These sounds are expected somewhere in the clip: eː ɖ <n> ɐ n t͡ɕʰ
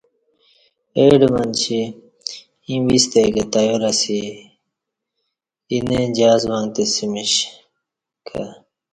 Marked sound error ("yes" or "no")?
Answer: yes